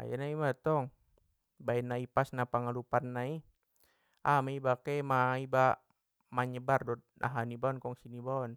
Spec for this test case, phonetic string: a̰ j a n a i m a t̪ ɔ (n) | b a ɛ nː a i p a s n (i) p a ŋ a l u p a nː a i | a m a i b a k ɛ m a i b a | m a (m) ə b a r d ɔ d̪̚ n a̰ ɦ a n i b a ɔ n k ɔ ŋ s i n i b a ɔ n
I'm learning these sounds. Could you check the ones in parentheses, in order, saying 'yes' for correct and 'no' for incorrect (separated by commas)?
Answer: no, no, no